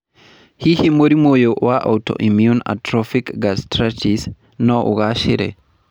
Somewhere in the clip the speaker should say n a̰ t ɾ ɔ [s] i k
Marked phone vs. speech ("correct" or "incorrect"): incorrect